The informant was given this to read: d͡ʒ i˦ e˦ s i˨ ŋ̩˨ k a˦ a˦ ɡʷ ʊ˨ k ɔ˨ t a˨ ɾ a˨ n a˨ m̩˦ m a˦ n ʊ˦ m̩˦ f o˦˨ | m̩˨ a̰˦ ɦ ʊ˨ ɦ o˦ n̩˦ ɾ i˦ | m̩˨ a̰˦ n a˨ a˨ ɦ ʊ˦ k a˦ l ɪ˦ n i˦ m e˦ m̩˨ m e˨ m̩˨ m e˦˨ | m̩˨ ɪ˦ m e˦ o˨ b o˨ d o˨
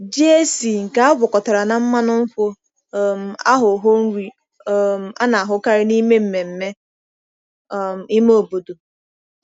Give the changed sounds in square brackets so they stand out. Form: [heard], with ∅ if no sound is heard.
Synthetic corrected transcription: d͡ʒ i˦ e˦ s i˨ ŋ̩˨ k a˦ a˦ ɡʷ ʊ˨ k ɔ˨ t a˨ ɾ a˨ n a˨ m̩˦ m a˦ n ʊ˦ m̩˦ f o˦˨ | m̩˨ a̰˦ ɦ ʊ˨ ɦ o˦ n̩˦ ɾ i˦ | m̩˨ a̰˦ n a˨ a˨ ɦ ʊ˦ k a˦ [ɾ] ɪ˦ n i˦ m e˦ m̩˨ m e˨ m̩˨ m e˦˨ | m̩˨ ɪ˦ m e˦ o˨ b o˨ d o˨